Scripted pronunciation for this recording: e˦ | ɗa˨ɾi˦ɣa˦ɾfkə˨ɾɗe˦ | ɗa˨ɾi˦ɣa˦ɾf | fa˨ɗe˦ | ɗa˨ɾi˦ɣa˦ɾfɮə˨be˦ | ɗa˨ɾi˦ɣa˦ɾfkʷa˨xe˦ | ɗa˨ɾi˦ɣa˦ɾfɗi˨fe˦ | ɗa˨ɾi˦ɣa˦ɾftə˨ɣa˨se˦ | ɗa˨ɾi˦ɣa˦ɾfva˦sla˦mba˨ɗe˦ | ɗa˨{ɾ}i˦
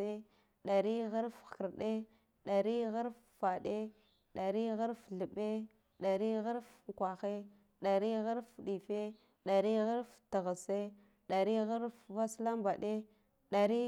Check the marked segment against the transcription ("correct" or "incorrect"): correct